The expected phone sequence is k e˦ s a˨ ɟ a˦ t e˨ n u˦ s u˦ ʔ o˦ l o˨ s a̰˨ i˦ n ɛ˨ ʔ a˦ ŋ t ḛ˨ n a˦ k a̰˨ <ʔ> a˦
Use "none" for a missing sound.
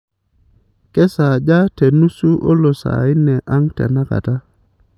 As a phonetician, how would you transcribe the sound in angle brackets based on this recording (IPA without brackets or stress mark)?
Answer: t